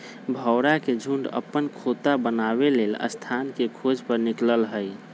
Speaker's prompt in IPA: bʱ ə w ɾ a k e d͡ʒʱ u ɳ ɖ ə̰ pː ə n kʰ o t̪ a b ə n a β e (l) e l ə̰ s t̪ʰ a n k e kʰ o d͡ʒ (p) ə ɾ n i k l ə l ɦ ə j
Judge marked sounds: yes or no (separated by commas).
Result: yes, yes